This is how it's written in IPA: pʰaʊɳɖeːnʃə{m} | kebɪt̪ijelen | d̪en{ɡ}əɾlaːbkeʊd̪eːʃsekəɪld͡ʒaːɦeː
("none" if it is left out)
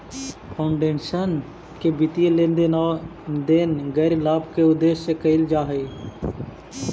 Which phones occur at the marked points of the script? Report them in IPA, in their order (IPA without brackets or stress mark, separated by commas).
n, ɡ